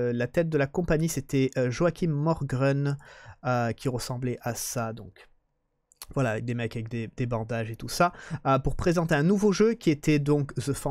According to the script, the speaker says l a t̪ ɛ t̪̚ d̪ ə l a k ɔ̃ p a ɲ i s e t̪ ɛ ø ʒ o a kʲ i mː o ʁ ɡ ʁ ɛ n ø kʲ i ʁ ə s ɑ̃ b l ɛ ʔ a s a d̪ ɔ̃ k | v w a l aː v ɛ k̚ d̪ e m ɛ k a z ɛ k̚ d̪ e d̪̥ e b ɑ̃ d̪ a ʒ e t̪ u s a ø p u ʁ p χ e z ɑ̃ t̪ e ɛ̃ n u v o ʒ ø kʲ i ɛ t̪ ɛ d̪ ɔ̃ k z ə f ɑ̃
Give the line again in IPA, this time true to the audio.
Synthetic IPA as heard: l a t̪ ɛ t̪̚ d̪ ə l a k ɔ̃ p a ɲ i s e t̪ ɛ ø ʒ o a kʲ i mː ɔ ʁ ɡ ʁ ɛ n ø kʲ i ʁ ə s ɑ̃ b l ɛ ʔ a s a d̪ ɔ̃ k | v w a l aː v ɛ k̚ d̪ e m ɛ k a v ɛ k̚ d̪ e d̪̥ e b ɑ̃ d̪ a ʒ e t̪ u s a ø p u ʁ p χ e z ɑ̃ t̪ e ɛ̃ n u v o ʒ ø kʲ i e t̪ ɛ d̪ ɔ̃ k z ə f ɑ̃